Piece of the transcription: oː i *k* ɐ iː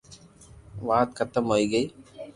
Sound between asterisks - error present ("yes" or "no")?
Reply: yes